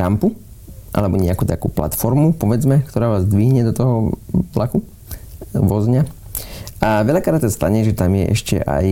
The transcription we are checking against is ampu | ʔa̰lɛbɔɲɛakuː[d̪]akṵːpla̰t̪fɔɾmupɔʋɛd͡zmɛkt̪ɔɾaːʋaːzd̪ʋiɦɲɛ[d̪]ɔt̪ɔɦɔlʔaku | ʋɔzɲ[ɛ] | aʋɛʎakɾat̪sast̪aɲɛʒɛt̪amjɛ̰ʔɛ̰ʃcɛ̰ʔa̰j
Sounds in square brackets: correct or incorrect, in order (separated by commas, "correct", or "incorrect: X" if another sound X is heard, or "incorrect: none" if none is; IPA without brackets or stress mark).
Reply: incorrect: t̪, correct, incorrect: a